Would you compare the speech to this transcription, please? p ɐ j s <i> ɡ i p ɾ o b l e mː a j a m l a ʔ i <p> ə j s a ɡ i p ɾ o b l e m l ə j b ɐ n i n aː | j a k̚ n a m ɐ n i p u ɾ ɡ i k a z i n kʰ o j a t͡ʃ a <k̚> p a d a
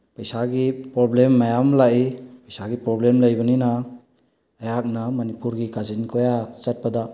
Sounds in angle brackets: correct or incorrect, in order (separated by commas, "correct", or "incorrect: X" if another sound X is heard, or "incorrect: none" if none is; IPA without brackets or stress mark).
incorrect: a, correct, incorrect: t̚